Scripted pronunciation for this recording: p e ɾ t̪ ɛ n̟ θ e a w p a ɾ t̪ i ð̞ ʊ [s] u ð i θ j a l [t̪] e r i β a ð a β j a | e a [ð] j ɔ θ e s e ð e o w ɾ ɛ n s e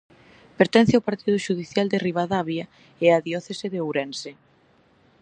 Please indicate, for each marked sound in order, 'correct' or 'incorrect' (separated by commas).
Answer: incorrect, incorrect, correct